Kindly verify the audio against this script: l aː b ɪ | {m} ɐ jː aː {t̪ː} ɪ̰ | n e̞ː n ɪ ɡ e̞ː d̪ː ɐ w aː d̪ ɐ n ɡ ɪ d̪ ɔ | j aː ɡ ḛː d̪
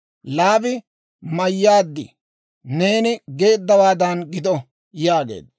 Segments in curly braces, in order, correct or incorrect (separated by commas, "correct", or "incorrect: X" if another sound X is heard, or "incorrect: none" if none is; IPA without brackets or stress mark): correct, incorrect: d̪ː